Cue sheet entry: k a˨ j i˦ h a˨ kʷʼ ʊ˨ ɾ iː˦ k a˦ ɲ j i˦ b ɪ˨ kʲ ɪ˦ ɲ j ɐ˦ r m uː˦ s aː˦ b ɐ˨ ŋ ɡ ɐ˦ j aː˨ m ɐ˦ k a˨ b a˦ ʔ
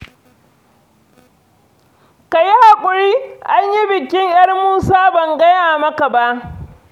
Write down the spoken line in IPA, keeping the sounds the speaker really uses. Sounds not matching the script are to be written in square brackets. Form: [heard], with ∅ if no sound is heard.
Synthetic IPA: k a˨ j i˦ h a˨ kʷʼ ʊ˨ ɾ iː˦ [ʔ] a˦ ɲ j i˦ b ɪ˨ kʲ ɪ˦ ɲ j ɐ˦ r m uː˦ s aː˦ b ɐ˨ ŋ ɡ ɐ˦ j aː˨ m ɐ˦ k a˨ b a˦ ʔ

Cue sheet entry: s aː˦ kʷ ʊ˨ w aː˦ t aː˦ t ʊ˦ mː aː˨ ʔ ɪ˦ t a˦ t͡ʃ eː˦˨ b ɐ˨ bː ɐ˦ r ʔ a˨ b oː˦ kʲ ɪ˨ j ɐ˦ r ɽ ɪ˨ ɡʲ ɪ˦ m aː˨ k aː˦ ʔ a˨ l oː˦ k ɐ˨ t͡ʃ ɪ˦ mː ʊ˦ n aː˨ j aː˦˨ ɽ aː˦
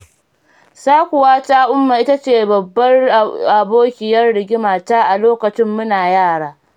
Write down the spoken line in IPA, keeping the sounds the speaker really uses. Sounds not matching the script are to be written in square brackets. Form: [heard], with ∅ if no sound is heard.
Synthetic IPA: s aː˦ kʷ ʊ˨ w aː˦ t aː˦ [ʔ] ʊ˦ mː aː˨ ʔ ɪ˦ t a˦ t͡ʃ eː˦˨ b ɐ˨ bː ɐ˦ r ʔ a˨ b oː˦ kʲ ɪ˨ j ɐ˦ r ɽ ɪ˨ ɡʲ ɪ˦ m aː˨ [t] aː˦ ʔ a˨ l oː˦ k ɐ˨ t͡ʃ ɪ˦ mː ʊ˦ n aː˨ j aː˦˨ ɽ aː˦

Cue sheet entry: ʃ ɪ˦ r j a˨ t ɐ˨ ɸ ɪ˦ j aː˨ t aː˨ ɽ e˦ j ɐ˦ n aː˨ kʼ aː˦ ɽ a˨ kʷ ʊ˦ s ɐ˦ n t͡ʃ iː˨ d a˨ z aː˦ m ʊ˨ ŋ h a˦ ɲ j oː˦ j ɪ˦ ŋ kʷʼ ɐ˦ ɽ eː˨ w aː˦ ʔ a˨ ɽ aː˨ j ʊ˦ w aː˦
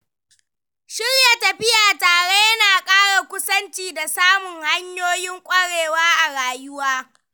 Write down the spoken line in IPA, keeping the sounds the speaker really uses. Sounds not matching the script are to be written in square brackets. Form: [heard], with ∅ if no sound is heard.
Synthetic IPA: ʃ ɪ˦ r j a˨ t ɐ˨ ɸ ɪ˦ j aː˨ t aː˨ ɽ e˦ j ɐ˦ n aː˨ kʼ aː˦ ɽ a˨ kʷ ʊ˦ s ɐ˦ n t͡ʃ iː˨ d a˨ [s] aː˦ m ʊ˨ ŋ h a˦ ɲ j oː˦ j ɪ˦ ŋ kʷʼ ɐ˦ ɽ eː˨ w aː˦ ʔ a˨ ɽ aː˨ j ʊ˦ w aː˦

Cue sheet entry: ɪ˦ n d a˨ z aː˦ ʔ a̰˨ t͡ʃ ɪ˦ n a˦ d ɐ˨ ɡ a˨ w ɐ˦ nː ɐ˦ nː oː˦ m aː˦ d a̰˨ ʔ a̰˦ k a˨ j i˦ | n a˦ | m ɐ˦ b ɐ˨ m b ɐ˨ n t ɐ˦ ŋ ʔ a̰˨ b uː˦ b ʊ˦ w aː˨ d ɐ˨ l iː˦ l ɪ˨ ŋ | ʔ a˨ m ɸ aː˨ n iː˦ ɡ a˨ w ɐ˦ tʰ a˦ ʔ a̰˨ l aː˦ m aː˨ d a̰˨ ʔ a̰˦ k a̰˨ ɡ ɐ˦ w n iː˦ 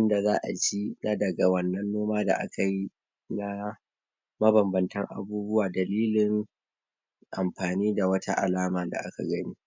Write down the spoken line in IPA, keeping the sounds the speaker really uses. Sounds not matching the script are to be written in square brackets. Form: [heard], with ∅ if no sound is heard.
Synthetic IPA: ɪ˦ n d a˨ z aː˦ ʔ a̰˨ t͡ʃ [i˦] n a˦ d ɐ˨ ɡ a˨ w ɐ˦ nː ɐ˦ nː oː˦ m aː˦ d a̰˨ ʔ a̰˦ k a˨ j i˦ | n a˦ | m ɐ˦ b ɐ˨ m b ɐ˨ n t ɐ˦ ŋ ʔ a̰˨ b uː˦ b ʊ˦ w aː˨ d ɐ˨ l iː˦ l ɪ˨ ŋ | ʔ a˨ m ɸ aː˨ n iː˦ [d] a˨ w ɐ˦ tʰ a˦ ʔ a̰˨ l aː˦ m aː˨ d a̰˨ ʔ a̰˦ k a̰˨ ɡ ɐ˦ [∅] n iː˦

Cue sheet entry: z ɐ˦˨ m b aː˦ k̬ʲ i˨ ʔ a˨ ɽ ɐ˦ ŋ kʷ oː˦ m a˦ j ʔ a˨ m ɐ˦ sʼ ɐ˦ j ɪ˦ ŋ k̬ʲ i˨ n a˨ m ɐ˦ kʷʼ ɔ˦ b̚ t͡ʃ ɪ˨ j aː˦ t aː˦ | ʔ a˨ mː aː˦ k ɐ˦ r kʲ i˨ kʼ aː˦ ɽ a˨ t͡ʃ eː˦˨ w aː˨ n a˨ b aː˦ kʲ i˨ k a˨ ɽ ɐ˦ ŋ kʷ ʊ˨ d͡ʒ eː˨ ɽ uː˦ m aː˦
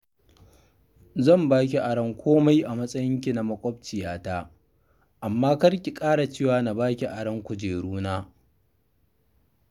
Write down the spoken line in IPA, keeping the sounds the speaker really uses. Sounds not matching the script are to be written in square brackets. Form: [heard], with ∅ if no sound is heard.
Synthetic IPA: z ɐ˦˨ m b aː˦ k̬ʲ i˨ ʔ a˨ ɽ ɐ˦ ŋ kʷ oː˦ m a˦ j ʔ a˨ m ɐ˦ sʼ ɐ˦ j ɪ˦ ŋ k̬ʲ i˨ n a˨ m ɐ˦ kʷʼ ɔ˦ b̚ t͡ʃ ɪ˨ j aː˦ t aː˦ | ʔ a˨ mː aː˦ k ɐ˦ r kʲ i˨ kʼ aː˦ ɽ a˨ t͡ʃ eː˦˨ w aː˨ n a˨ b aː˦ kʲ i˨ [ʔ] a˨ ɽ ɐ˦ ŋ kʷ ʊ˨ d͡ʒ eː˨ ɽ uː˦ [n] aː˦

